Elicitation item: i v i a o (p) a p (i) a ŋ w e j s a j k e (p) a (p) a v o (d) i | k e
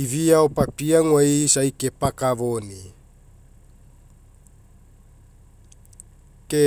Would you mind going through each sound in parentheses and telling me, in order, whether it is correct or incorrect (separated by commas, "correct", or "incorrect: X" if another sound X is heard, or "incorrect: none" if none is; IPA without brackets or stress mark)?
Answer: correct, correct, correct, incorrect: k, incorrect: n